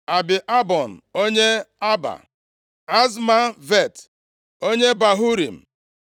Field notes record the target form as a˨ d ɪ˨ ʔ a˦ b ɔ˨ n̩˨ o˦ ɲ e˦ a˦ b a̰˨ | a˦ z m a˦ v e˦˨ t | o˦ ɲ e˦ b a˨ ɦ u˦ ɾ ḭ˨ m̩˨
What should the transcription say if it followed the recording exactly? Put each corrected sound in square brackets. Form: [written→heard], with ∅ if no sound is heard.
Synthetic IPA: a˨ [d→b] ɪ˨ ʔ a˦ b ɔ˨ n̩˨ o˦ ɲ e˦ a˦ b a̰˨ | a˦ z m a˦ v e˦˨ t | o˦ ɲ e˦ b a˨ ɦ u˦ ɾ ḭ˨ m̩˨